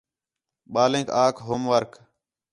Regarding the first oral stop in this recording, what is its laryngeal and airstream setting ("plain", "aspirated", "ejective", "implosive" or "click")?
implosive